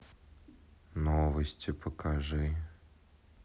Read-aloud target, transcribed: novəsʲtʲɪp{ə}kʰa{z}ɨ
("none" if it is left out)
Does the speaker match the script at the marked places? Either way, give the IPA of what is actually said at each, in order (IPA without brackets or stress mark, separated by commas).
ə, ʐ